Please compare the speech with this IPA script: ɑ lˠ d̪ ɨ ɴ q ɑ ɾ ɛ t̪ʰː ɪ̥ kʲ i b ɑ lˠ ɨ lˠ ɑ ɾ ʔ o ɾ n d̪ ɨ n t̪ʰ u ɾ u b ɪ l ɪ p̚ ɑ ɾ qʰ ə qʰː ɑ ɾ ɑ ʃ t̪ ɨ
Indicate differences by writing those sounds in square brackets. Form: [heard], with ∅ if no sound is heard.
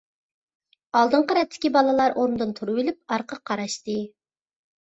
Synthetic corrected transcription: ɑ lˠ d̪ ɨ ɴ q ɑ ɾ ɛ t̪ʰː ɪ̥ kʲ i b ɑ lˠ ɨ lˠ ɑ ɾ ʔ o ɾ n d̪ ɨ n t̪ʰ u ɾ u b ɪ l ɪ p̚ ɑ ɾ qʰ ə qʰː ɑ ɾ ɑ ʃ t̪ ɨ

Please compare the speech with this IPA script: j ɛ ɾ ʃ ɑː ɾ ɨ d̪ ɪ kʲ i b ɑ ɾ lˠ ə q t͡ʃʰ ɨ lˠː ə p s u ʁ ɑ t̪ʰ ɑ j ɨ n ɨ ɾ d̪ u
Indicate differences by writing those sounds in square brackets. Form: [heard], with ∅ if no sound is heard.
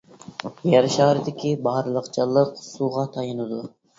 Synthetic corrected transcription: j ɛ ɾ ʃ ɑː ɾ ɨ d̪ ɪ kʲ i b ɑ ɾ lˠ ə q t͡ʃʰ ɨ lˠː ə [q] s u ʁ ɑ t̪ʰ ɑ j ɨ n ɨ [∅] d̪ u

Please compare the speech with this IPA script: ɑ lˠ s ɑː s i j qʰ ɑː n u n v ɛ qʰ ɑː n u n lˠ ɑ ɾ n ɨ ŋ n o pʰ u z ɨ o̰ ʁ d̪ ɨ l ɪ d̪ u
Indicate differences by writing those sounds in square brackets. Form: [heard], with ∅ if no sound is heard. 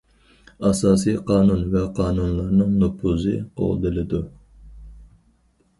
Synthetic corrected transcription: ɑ [∅] s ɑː s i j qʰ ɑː n u n v ɛ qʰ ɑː n u n lˠ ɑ ɾ n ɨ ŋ n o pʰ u z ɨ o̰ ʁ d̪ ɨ l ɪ d̪ u

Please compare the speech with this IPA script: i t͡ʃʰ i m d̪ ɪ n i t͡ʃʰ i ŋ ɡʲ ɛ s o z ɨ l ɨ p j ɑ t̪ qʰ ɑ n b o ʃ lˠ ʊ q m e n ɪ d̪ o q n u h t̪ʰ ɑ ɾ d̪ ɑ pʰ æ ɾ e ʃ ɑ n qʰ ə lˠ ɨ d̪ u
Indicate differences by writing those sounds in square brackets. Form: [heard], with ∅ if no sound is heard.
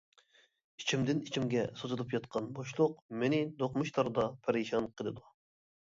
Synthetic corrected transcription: i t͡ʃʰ i m d̪ ɪ n i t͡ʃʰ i [m] ɡʲ ɛ s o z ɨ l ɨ p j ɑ t̪ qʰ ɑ n b o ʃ lˠ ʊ q m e n ɪ d̪ o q [m] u [ʃ] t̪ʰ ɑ ɾ d̪ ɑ pʰ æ ɾ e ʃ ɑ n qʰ ə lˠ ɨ d̪ u

